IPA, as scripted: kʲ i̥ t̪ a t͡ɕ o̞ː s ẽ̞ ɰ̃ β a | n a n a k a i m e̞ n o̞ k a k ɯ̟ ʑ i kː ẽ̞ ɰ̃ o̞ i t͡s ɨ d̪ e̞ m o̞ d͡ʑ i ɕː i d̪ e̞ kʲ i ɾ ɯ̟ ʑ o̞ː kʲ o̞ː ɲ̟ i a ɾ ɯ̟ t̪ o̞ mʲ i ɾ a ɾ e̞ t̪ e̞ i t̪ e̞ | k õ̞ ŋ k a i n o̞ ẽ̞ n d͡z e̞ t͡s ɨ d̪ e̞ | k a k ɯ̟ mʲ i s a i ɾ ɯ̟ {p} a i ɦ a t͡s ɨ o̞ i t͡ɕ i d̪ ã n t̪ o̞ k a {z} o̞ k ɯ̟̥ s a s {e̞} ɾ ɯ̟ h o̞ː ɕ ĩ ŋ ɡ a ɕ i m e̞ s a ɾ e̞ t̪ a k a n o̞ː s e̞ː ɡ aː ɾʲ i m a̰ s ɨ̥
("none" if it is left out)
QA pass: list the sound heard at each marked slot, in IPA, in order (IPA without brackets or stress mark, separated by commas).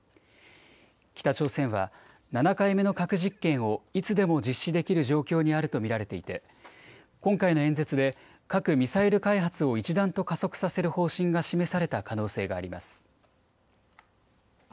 k, s, e̞